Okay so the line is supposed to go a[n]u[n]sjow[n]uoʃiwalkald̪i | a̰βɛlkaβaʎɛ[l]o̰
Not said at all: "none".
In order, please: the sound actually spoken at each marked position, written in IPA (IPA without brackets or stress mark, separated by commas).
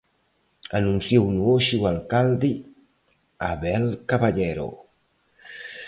n, n, n, ɾ